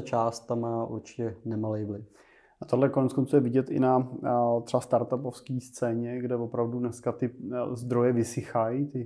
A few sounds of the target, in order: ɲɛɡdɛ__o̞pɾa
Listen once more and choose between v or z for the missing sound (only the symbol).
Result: v